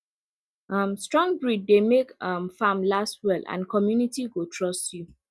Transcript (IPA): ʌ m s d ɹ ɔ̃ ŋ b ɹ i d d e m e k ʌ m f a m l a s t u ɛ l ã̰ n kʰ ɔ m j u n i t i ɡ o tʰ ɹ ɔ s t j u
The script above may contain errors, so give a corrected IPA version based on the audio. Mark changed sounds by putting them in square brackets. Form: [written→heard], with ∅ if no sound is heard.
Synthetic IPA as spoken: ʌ m s [d→t] ɹ ɔ̃ ŋ b ɹ i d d e m e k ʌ m f a m l a s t [u→w] ɛ l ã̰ n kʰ ɔ m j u n i t i ɡ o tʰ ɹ ɔ s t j u